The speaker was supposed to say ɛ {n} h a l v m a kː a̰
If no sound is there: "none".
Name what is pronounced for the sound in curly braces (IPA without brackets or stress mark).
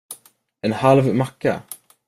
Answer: n